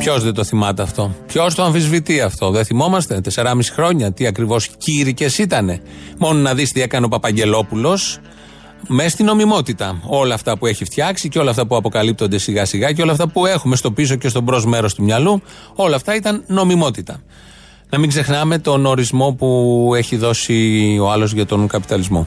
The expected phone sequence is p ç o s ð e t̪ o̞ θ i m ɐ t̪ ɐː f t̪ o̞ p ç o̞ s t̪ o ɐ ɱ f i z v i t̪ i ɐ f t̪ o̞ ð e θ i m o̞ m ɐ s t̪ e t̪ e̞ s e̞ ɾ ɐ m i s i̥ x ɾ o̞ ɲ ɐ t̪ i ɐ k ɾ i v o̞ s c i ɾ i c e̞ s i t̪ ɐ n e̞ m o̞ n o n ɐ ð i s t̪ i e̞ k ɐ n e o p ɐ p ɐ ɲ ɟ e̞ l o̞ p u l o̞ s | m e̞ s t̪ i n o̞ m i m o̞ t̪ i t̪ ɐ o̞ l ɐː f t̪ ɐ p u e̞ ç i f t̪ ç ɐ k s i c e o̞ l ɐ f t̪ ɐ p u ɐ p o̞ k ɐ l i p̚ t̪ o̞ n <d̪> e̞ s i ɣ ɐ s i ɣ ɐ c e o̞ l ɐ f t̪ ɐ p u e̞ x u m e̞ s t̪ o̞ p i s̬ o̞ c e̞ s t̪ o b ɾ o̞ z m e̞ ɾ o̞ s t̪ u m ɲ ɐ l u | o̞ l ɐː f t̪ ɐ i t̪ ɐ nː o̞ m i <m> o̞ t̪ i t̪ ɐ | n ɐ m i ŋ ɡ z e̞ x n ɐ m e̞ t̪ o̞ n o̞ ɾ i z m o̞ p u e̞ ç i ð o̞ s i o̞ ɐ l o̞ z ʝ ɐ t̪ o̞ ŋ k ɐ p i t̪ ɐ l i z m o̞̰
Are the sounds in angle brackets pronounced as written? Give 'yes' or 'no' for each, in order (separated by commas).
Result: yes, yes